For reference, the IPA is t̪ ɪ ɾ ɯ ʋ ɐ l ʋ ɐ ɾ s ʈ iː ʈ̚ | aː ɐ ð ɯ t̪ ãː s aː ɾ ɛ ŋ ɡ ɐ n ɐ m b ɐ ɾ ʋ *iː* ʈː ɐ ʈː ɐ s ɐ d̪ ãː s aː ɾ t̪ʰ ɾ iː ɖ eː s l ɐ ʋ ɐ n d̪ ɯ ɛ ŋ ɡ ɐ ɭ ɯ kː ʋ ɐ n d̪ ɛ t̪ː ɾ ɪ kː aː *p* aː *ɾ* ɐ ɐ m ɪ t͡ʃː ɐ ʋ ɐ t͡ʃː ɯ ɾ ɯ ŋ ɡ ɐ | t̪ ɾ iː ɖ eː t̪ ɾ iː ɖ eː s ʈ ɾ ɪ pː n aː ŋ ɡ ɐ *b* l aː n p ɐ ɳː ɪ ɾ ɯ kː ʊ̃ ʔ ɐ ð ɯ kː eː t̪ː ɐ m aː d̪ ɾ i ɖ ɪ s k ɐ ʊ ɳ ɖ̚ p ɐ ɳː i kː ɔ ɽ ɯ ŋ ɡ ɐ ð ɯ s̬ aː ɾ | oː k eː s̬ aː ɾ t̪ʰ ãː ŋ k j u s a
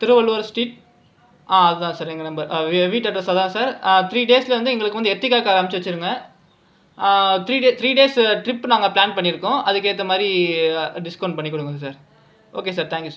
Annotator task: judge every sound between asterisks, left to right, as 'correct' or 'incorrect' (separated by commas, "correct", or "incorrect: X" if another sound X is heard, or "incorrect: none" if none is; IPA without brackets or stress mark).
correct, incorrect: k, correct, incorrect: p